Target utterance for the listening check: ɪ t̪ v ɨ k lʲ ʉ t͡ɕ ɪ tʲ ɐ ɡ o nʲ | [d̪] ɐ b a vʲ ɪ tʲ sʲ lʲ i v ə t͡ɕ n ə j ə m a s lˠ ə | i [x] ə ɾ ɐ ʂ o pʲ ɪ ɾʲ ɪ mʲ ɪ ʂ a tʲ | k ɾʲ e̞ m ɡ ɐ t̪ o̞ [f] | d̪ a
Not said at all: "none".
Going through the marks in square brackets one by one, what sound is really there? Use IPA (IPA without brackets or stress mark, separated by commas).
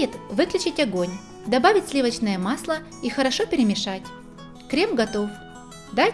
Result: d̪, x, f